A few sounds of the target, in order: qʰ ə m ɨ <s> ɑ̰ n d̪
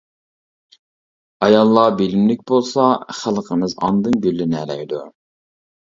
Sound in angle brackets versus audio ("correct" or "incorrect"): incorrect